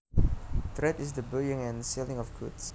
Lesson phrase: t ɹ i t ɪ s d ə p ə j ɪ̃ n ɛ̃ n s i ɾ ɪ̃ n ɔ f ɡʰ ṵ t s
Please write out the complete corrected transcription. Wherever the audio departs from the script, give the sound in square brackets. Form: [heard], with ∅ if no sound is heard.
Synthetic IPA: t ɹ [ɛ] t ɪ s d ə [b] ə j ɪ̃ [ŋ] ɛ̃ n s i [l] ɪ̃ [ŋ] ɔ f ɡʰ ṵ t s